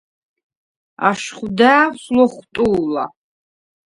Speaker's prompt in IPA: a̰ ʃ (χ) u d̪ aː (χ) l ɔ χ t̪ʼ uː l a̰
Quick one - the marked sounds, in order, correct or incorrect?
correct, incorrect: s

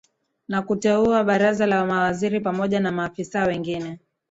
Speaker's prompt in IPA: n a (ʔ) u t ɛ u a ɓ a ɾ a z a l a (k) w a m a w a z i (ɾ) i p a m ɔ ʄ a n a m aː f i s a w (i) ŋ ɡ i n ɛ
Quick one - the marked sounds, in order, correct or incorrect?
incorrect: k, incorrect: none, correct, incorrect: ɛ

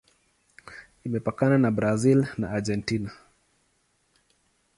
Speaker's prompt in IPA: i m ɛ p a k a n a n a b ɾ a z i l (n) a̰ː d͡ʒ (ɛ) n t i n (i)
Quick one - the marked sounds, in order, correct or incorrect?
correct, correct, incorrect: a

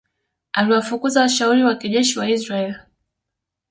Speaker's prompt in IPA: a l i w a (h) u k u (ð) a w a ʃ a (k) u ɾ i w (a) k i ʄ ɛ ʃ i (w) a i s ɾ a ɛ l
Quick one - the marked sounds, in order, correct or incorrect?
incorrect: f, incorrect: z, incorrect: none, correct, correct

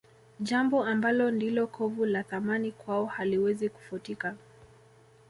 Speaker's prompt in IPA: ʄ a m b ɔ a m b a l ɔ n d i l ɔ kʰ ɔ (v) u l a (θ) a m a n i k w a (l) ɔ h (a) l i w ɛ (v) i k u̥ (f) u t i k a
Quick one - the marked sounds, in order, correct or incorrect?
correct, correct, incorrect: none, correct, incorrect: z, correct

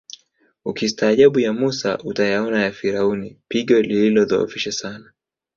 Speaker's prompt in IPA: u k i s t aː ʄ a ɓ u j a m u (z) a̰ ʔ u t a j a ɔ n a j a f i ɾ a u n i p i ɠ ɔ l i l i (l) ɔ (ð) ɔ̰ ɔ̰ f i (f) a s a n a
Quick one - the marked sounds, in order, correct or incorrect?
incorrect: s, correct, correct, incorrect: ʃ

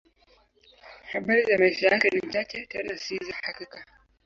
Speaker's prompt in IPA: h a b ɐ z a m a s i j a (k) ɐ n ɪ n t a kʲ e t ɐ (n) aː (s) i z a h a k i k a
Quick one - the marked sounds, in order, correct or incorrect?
correct, correct, correct

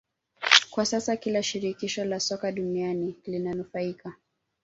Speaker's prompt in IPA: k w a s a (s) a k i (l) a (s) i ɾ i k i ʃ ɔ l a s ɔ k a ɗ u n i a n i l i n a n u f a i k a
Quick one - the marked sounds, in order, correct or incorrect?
correct, correct, incorrect: ʃ

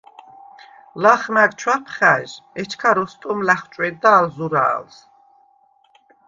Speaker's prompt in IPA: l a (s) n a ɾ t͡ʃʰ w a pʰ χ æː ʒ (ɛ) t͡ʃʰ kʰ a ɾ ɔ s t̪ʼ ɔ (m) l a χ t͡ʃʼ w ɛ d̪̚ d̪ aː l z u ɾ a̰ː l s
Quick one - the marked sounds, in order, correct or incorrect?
incorrect: χ, correct, correct

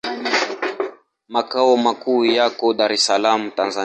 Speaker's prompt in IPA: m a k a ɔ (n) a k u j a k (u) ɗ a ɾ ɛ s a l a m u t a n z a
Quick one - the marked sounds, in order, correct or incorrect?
incorrect: m, incorrect: ɔ

